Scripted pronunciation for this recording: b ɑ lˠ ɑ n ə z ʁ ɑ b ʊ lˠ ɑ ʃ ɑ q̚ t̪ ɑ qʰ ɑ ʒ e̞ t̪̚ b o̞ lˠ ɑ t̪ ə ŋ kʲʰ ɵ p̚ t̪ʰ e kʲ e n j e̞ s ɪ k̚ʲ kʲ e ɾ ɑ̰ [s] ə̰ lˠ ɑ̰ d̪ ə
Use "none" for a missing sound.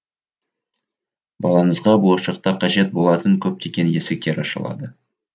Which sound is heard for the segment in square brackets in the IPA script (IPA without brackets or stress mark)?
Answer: ʃ